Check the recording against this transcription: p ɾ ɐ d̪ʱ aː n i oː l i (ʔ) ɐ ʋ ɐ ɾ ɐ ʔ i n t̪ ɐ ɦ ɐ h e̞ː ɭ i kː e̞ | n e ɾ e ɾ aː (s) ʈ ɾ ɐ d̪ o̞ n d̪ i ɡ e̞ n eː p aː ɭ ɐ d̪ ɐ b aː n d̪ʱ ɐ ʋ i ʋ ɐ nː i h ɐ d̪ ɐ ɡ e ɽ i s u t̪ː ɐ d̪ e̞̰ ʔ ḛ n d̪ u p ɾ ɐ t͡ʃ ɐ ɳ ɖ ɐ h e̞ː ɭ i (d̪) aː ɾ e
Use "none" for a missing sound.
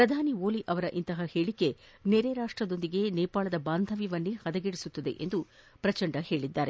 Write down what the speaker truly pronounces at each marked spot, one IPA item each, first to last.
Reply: ʔ, ʂ, d̪ː

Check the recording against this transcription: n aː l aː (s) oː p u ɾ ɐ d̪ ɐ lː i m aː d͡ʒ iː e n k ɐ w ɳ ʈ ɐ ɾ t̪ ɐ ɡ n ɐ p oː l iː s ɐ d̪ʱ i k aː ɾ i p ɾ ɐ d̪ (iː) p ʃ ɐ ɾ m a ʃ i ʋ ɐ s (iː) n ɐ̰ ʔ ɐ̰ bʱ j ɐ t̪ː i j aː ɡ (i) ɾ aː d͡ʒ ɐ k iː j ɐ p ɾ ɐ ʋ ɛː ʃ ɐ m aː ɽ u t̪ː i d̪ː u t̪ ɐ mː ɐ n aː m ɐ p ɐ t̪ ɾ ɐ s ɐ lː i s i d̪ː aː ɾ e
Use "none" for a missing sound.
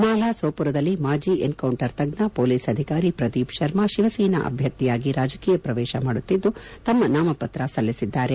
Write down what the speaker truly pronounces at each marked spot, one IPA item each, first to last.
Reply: s, iː, iː, i

